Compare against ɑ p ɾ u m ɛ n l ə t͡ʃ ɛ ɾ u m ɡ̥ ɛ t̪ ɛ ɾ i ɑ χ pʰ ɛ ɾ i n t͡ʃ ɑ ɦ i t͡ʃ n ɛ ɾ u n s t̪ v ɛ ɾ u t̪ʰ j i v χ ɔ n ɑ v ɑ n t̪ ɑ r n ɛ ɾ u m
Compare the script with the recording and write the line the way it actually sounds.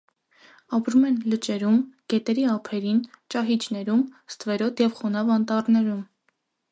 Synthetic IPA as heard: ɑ p ɾ u m ɛ n l ə t͡ʃ ɛ ɾ u m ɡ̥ ɛ t̪ ɛ ɾ i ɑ pʰ ɛ ɾ i n t͡ʃ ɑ ɦ i t͡ʃ n ɛ ɾ u m s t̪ v ɛ ɾ ɔ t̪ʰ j ɛ v χ ɔ n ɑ v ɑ n t̪ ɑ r n ɛ ɾ u m